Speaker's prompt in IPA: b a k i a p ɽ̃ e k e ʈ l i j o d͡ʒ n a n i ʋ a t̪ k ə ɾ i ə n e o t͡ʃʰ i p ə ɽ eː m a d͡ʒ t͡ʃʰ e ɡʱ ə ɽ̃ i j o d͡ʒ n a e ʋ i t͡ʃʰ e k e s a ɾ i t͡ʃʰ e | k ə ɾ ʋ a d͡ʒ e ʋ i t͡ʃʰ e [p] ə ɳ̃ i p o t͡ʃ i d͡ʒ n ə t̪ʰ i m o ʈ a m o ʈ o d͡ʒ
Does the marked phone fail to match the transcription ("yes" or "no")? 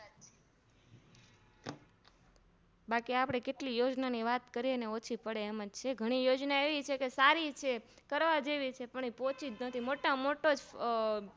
no